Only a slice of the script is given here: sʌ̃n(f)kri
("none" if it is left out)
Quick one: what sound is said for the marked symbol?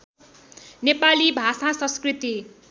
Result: s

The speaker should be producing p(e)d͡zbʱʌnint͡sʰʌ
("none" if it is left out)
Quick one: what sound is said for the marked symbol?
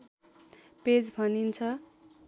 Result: e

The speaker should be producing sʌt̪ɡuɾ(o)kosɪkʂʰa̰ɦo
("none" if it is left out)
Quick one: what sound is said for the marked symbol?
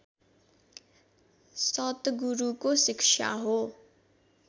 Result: u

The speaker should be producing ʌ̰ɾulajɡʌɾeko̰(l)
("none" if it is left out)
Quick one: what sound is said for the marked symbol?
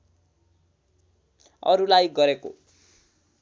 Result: none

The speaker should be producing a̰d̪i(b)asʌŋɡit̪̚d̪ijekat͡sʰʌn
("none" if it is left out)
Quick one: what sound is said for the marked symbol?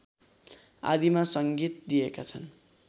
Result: m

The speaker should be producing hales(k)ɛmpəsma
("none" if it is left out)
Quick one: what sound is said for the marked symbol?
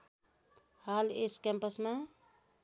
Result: k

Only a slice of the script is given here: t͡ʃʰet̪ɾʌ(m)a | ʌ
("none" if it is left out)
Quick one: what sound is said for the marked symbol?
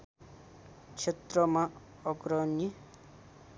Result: m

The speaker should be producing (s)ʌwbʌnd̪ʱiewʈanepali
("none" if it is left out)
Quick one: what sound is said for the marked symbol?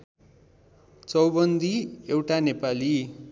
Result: t͡s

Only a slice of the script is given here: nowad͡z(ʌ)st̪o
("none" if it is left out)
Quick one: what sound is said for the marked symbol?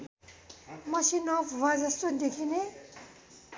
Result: ʌ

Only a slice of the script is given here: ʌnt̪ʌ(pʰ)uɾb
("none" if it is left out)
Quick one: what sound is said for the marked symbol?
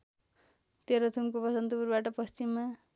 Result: p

